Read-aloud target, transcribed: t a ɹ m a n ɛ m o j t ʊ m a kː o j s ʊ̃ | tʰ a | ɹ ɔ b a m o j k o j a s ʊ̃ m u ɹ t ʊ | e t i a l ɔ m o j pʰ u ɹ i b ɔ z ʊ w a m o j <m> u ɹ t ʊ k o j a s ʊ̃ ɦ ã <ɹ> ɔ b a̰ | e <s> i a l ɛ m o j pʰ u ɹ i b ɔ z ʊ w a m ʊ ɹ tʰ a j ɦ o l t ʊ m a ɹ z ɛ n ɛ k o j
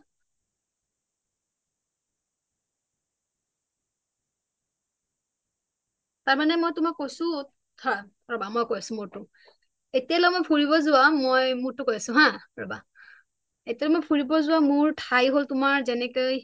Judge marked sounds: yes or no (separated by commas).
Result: yes, yes, no